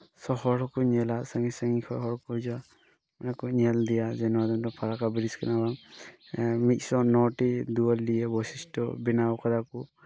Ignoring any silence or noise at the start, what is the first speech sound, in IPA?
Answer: s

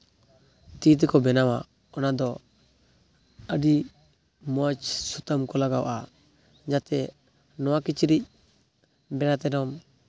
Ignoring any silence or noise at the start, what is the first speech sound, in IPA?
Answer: t̪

